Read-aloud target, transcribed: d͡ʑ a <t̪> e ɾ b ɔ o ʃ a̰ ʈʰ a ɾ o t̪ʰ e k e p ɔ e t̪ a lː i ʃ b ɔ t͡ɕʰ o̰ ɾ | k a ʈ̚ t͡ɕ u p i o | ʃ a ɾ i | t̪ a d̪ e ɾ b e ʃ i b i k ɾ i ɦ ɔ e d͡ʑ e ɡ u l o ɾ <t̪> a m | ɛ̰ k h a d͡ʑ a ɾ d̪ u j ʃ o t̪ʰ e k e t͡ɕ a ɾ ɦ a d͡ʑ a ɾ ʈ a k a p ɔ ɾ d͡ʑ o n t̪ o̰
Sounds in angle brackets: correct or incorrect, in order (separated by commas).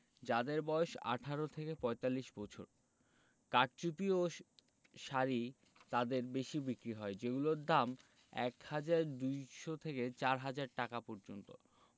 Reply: incorrect, incorrect